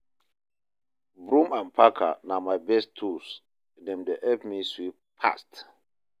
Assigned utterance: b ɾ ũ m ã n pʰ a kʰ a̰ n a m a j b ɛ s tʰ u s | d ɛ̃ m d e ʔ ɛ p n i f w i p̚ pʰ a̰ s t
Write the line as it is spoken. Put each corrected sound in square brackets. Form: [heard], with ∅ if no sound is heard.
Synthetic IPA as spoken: b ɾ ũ m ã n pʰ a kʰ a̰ n a m a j b ɛ s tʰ u s | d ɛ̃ m d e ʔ ɛ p [m] i [s] w i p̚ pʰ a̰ s t